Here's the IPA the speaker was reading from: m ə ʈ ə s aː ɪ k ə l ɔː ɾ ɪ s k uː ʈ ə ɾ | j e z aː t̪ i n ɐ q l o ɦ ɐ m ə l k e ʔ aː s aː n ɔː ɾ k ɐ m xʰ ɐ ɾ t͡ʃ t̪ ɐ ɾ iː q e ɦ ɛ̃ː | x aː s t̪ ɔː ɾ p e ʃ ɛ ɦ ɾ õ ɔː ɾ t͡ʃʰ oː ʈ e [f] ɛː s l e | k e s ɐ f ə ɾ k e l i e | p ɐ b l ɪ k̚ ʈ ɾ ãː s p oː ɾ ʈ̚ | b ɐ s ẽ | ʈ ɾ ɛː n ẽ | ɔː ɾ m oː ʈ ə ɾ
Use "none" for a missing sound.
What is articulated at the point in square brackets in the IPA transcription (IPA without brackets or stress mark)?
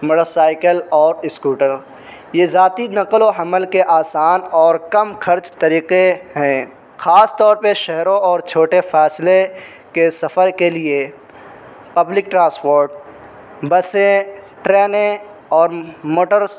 f